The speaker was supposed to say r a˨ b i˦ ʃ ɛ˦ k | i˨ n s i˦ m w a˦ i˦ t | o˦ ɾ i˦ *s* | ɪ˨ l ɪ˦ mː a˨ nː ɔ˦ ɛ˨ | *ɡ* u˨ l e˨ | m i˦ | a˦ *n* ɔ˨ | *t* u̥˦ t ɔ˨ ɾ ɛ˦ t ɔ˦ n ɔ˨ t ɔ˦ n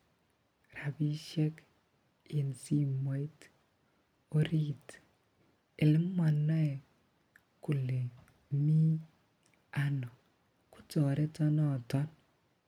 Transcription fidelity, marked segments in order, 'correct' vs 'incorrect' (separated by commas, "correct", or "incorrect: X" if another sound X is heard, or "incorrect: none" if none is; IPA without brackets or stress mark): incorrect: t, incorrect: k, correct, incorrect: k